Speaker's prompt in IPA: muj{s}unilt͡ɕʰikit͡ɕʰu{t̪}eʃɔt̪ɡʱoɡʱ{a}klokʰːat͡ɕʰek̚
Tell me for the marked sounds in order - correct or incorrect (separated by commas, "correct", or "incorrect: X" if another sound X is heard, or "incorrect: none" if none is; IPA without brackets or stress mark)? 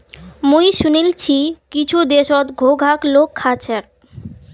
incorrect: ʃ, incorrect: d̪, correct